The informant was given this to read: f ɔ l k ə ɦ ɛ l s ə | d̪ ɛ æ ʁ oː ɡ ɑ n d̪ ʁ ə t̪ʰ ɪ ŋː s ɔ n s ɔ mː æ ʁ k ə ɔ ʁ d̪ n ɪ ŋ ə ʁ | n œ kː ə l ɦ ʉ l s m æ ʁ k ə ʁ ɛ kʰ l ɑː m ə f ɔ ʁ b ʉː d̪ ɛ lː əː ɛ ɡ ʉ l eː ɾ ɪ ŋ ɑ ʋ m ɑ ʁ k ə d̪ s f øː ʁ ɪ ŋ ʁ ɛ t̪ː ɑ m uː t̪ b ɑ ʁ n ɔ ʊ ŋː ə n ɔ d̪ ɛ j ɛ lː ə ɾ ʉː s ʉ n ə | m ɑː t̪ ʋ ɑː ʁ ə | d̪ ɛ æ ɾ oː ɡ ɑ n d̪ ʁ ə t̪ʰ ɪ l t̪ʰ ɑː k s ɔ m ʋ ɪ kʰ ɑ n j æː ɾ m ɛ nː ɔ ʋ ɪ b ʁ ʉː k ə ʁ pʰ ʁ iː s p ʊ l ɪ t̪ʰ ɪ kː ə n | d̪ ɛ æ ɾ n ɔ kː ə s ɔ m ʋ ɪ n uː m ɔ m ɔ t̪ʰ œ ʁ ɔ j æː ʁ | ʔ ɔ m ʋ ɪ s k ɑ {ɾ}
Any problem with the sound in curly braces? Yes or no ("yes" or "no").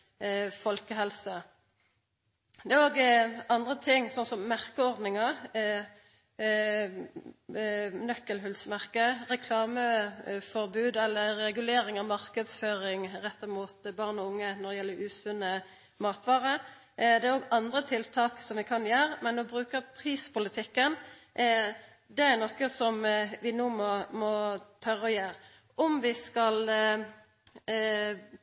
yes